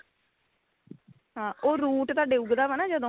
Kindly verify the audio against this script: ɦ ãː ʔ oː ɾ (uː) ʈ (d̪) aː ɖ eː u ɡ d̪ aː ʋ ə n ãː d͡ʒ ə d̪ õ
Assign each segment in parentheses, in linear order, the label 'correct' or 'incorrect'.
correct, incorrect

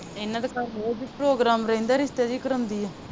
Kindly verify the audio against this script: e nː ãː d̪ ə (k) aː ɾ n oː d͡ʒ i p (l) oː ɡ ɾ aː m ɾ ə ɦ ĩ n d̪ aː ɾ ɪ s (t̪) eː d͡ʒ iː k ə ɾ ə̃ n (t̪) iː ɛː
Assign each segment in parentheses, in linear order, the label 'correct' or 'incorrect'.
correct, incorrect, correct, incorrect

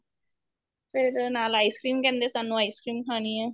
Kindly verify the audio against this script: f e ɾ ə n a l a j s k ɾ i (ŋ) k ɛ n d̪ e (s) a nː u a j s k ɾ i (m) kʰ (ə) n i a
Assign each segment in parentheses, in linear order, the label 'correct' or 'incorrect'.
incorrect, correct, correct, incorrect

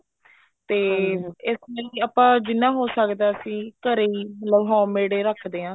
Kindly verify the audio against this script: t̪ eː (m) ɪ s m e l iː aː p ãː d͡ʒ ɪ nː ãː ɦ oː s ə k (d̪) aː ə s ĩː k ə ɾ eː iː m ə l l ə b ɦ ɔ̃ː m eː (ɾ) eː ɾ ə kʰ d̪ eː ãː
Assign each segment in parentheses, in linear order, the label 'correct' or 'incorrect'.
incorrect, correct, incorrect

